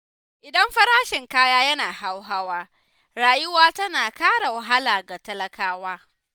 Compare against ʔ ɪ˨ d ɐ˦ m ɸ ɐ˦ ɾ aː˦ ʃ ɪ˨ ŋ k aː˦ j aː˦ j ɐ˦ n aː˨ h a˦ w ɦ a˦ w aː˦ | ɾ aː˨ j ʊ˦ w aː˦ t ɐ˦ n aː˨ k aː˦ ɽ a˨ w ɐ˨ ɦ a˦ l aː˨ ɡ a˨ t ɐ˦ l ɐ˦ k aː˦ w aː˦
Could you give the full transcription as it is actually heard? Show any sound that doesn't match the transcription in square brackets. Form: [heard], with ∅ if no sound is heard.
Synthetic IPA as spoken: ʔ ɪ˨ d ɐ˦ m ɸ ɐ˦ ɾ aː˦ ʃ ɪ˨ ŋ k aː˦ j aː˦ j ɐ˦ n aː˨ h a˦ w ɦ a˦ w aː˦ | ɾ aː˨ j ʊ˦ w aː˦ t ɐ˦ n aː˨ k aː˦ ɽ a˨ w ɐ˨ ɦ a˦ l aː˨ ɡ a˨ t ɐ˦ l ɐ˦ k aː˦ w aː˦